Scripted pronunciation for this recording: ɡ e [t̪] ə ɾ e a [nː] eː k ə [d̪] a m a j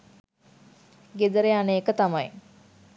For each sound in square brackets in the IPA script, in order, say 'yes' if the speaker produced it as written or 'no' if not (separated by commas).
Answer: no, no, no